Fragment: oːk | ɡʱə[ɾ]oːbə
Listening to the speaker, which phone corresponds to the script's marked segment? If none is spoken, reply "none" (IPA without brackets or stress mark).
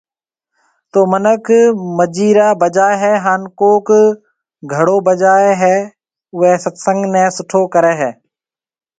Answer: ɽ